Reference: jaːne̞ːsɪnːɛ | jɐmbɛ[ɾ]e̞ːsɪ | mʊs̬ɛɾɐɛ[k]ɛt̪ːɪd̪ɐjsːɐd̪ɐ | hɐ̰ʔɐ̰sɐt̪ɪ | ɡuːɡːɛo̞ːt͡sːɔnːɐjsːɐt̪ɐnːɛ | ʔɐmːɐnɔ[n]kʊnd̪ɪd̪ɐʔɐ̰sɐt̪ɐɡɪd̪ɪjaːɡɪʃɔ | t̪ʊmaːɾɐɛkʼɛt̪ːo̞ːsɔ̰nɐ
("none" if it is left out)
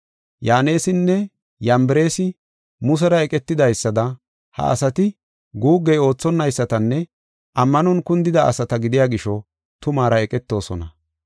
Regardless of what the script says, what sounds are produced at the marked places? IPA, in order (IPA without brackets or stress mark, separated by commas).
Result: ɾ, kʼ, n